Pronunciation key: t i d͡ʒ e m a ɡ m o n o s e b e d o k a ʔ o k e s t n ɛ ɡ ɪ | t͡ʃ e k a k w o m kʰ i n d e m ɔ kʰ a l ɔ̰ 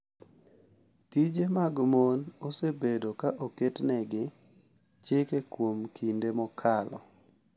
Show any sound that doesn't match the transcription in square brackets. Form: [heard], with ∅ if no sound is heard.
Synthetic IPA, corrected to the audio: t i d͡ʒ e m a ɡ m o n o s e b e d o k a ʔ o k e [∅] t n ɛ ɡ ɪ | t͡ʃ e k [e] k w o m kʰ i n d e m ɔ kʰ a l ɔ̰